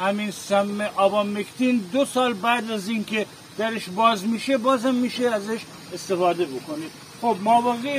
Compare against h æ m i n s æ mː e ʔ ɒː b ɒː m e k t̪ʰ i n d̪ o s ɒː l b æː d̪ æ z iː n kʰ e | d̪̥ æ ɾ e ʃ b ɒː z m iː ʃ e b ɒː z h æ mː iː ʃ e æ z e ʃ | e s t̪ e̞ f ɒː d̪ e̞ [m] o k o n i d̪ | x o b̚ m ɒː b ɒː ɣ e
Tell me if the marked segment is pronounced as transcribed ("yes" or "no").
no